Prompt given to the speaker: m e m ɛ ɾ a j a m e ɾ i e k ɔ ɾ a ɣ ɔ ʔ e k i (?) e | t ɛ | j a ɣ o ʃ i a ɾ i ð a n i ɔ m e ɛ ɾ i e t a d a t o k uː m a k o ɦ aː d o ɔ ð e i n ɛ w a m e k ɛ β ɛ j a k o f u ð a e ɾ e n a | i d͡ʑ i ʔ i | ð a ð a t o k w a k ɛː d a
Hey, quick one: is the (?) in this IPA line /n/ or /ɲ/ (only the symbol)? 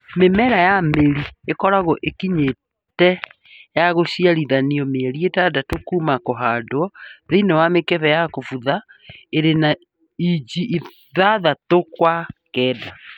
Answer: ɲ